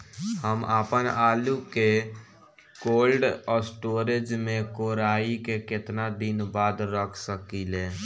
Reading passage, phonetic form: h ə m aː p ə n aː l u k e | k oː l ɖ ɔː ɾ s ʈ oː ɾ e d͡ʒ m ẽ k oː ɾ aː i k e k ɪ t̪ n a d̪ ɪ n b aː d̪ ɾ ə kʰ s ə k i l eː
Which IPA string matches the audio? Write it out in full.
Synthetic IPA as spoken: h ə m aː p ə n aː l u k e | k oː l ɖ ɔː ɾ s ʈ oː ɾ e d͡ʒ m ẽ k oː ɾ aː i k e k ɪ t̪ n a d̪ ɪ n b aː d̪ ɾ ə kʰ s ə k i l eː